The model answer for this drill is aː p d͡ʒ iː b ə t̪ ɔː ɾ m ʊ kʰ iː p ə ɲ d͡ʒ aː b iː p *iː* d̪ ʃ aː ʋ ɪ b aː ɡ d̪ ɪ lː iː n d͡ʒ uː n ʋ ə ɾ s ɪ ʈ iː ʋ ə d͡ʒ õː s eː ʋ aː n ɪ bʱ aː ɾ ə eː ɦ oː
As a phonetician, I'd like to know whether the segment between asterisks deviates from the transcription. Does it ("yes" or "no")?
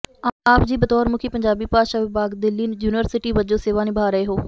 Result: yes